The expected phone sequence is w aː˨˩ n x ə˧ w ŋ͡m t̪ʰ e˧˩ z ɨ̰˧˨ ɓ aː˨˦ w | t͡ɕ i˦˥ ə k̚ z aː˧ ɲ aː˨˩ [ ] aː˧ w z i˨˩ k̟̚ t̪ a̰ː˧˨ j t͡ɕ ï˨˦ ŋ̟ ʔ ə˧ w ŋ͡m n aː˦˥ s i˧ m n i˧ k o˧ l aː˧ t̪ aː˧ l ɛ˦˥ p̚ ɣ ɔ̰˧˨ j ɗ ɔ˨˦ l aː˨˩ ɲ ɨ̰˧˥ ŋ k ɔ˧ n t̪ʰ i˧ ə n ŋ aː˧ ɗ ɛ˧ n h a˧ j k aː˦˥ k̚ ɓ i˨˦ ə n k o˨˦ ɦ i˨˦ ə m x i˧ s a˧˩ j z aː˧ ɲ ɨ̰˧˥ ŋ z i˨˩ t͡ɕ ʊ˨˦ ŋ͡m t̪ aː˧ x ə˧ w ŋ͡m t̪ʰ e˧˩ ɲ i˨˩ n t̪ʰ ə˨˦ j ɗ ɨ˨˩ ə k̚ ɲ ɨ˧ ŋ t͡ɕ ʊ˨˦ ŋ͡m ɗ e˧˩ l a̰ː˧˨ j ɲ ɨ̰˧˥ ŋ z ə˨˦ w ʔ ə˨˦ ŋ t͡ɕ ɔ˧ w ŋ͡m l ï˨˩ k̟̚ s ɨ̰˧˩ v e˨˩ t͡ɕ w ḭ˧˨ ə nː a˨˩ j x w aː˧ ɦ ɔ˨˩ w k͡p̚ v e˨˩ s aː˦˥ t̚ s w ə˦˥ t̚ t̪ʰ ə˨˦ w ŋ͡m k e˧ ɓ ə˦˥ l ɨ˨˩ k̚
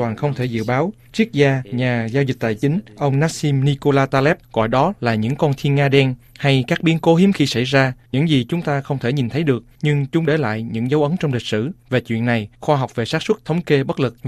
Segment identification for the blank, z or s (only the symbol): z